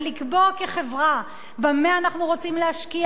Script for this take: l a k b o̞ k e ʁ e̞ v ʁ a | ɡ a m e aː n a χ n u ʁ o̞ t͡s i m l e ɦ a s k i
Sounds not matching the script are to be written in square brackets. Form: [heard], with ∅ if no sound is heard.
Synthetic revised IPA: l [i] k b o̞ k e [χ] e̞ v ʁ a | [b] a m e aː n a χ n u ʁ o̞ t͡s i m l e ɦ a [ʃ] k i